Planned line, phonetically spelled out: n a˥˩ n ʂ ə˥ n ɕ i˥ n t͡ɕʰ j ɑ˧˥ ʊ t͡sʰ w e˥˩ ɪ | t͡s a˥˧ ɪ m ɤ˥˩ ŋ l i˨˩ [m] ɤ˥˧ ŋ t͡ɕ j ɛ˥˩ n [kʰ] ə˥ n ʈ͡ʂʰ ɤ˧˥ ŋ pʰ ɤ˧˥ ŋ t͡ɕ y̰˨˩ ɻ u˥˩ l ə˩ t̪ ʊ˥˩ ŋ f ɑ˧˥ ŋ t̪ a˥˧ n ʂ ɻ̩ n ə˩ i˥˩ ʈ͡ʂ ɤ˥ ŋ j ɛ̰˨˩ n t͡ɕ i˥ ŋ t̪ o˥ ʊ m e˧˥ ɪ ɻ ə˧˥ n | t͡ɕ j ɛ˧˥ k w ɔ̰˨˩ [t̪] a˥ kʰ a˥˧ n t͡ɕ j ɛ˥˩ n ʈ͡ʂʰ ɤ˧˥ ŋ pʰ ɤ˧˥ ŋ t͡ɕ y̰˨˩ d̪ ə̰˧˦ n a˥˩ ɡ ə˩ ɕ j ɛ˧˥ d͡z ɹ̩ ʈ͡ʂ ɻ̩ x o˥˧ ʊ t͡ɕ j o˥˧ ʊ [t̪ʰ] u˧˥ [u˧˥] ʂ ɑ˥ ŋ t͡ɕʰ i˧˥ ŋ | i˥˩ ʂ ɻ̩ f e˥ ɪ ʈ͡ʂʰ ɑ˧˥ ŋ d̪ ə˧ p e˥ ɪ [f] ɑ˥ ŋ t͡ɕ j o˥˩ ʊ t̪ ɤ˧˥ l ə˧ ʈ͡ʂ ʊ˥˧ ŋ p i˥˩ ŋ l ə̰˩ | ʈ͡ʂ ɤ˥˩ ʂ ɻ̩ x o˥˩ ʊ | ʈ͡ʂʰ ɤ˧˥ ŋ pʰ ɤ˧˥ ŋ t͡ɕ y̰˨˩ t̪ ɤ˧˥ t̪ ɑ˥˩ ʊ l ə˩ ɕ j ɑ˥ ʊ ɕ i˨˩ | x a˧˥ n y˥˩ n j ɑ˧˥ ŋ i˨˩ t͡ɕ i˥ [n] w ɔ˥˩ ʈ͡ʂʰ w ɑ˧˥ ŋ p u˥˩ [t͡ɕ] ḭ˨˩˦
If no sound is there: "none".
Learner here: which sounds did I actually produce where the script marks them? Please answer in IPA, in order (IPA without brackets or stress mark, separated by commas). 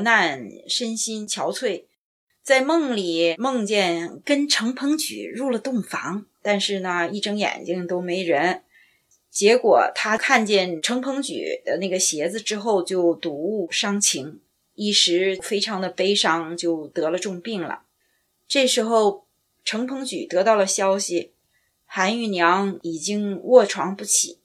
m, k, t̪ʰ, t̪, u˥˩, ʂ, ŋ, t͡ɕʰ